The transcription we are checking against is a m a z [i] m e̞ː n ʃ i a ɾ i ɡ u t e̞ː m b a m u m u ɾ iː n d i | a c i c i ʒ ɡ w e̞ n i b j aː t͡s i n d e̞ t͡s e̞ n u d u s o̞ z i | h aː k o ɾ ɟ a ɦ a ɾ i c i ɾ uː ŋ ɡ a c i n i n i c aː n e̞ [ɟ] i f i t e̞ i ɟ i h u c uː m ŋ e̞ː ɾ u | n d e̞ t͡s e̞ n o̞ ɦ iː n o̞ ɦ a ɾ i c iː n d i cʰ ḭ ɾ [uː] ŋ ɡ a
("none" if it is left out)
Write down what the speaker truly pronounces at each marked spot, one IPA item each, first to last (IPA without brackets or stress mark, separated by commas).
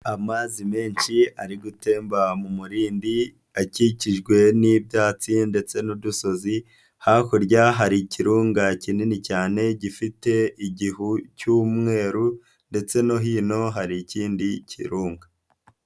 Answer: i, ɟ, uː